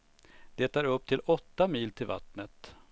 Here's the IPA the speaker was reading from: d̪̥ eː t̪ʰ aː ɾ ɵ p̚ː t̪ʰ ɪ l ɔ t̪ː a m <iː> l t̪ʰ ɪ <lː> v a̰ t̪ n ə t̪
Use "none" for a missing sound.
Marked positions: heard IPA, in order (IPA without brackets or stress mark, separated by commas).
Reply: iː, l